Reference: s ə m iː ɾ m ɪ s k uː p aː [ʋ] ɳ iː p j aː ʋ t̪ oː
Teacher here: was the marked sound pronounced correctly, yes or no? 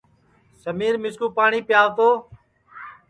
no